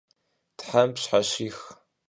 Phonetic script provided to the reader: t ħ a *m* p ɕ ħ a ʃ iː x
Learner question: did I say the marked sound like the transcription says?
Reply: yes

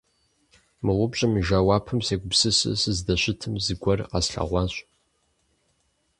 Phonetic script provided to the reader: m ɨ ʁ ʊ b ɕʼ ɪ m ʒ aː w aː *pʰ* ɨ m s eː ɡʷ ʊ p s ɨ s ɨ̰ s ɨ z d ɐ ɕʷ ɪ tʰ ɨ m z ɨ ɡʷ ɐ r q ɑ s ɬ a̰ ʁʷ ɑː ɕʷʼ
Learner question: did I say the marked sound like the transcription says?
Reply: yes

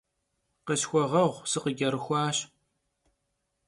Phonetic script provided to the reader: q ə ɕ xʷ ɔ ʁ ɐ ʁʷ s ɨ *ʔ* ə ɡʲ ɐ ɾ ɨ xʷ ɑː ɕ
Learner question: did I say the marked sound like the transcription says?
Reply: no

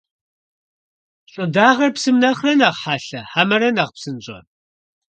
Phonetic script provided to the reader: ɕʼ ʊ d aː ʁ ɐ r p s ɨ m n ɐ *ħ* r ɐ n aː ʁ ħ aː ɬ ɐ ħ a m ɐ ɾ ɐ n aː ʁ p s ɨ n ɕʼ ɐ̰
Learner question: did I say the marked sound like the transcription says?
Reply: no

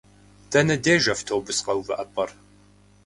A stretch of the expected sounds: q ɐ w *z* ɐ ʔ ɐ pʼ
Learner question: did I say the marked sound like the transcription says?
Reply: no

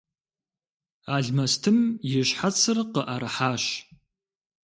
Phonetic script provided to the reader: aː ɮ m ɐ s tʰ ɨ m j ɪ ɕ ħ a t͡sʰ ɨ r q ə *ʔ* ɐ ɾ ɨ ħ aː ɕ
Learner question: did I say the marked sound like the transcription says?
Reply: yes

